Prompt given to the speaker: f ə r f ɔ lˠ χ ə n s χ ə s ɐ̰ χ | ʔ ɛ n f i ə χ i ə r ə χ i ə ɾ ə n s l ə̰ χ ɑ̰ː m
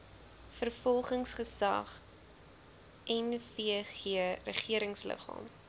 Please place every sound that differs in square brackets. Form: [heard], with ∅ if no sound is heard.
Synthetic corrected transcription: f ə r f ɔ lˠ χ ə [ŋ] s χ ə s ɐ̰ χ | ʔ ɛ n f i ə χ i ə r ə χ i ə ɾ ə [ŋ] s l ə̰ χ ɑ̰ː m